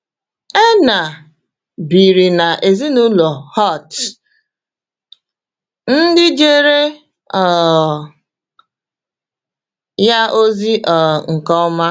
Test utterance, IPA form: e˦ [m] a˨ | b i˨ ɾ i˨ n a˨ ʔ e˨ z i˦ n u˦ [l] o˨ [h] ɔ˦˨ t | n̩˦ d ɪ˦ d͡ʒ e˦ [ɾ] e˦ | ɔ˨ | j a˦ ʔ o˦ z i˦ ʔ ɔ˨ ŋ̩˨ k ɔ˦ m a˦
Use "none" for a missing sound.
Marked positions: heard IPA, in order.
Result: n, l, h, ɾ

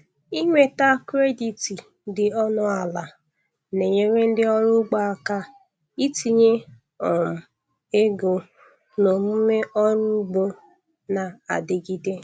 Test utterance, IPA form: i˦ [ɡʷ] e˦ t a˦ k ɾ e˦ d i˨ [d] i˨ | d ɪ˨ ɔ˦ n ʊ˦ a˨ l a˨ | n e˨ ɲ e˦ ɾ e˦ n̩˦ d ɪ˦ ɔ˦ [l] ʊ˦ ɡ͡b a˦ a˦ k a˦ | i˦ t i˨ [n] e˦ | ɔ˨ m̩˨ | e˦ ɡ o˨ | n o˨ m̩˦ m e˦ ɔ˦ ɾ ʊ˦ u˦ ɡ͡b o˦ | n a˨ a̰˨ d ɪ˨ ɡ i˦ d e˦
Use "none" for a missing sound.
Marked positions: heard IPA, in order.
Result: ŋʷ, t, ɾ, ɲ

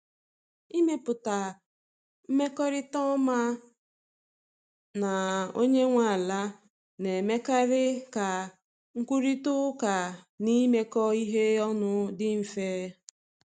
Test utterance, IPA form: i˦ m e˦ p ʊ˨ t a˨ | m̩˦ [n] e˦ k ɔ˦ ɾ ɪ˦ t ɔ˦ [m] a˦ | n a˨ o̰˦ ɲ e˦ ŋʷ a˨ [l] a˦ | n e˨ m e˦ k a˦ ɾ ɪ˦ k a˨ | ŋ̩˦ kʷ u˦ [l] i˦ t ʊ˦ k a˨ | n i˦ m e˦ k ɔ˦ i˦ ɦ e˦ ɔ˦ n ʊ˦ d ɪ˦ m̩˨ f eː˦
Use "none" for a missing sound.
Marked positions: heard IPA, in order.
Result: m, m, l, ɾ

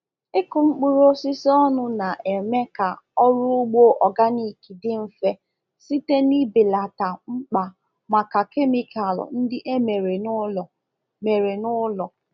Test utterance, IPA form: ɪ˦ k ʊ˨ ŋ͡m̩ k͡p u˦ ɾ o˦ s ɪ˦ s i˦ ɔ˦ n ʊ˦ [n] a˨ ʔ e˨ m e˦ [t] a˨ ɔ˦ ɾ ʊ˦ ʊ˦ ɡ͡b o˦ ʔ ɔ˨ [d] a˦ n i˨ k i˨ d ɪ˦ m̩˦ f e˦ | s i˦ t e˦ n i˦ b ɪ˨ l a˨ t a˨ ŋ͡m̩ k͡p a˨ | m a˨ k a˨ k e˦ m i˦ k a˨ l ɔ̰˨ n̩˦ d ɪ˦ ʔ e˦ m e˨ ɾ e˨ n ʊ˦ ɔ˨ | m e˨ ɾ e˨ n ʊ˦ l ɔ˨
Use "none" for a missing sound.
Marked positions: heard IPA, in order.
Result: n, k, ɡ

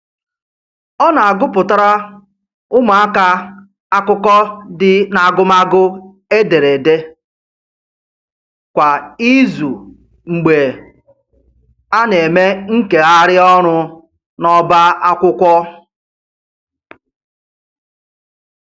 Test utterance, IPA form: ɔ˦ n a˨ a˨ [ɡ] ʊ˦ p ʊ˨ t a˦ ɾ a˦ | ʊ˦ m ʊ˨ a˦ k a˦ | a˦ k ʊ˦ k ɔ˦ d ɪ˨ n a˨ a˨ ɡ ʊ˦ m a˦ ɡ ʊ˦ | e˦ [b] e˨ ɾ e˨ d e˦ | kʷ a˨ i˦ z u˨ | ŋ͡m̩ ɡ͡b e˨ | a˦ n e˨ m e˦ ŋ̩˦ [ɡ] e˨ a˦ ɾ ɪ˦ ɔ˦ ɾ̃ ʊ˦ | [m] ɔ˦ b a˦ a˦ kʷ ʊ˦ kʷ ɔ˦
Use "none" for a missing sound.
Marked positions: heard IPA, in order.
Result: ɡ, d, k, n

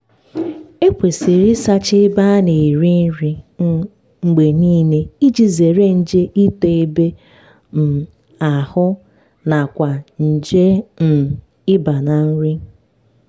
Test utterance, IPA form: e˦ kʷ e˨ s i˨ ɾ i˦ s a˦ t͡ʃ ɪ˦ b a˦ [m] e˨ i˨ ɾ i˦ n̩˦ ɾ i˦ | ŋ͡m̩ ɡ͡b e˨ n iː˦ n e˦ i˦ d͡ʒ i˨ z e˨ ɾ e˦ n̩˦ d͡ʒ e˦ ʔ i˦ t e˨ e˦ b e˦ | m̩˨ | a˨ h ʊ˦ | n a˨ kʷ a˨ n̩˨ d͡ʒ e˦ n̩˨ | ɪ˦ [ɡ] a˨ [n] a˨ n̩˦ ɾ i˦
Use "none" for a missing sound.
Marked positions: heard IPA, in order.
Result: n, b, n

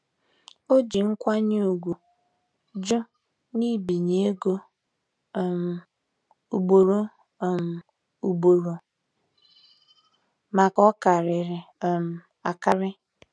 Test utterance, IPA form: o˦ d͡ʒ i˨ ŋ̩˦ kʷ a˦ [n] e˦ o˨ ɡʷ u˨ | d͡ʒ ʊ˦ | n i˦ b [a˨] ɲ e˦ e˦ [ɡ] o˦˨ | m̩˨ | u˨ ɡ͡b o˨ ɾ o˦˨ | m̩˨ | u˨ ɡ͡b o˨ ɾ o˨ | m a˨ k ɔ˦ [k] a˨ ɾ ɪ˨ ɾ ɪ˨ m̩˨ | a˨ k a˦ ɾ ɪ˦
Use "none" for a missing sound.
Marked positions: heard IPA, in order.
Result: ɲ, i˨, ɡ, k

